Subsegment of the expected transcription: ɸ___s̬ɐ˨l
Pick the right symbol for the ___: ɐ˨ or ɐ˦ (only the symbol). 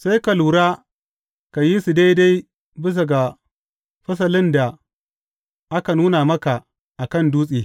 ɐ˦